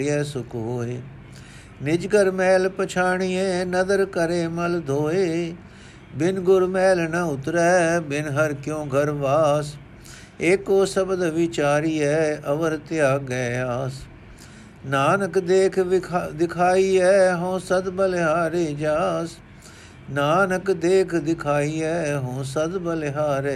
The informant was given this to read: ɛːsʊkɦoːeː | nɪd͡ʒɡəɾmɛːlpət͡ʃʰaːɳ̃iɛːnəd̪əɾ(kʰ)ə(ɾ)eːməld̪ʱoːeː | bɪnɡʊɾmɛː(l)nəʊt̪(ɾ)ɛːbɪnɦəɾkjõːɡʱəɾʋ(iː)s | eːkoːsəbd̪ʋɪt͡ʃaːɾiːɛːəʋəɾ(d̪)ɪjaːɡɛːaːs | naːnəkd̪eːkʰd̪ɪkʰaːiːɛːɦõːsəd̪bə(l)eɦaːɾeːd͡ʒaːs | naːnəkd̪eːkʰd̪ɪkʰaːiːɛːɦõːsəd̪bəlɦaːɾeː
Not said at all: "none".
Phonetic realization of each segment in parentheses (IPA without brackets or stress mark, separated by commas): k, ɾ, l, ɾ, aː, t̪, l